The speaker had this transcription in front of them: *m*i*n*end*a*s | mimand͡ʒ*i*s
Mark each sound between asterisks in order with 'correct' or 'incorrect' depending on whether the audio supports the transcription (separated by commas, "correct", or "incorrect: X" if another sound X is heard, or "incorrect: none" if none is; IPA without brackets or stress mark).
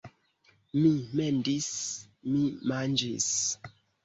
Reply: correct, incorrect: m, incorrect: i, correct